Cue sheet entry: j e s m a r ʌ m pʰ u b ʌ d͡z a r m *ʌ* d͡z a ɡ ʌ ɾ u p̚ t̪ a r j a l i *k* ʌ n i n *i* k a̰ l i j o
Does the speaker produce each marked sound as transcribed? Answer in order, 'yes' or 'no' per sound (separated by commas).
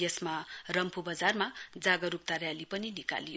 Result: no, no, yes